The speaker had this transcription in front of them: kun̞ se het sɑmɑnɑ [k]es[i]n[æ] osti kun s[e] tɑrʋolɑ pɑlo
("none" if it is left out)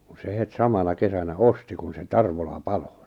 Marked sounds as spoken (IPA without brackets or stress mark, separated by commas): k, æ, æ, e